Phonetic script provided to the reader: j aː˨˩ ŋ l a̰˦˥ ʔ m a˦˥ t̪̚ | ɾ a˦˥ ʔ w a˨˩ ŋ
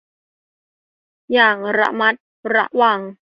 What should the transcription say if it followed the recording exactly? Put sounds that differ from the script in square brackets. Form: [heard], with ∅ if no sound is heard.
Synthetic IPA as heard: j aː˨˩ ŋ [ɾ] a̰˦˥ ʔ m a˦˥ t̪̚ | ɾ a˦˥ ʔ w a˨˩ ŋ